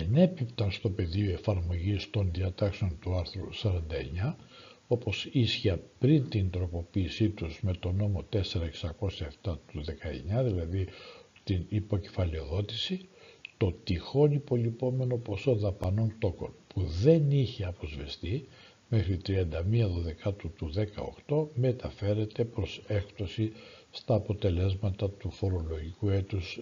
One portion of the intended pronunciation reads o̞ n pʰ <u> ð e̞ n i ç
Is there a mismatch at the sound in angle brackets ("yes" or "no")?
no